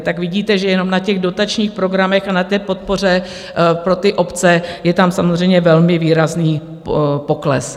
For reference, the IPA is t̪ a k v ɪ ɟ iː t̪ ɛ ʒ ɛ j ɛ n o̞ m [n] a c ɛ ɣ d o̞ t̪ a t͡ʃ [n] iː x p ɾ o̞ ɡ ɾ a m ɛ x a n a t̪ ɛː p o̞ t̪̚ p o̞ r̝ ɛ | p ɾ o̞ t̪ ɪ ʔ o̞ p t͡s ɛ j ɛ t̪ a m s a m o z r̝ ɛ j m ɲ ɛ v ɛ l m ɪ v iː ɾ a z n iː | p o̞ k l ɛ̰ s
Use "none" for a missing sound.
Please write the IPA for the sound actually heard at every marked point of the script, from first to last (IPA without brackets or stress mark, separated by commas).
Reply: n, ɲ